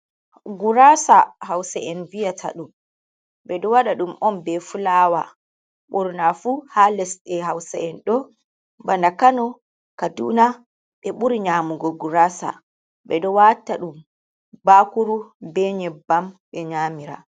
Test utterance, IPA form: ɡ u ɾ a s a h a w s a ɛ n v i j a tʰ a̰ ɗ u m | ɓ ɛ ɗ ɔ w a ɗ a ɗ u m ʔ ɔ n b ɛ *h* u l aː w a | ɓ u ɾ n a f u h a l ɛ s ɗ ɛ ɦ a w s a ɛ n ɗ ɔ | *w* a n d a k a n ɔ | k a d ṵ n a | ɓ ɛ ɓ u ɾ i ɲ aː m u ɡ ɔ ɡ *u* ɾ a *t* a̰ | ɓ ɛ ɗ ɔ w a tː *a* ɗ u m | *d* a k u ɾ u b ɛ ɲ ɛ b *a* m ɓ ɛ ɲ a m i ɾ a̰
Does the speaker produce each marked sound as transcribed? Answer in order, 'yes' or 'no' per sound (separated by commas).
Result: no, no, yes, no, yes, no, yes